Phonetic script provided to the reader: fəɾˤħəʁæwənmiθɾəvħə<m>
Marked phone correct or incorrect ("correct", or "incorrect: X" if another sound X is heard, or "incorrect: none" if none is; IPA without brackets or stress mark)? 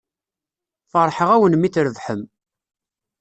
correct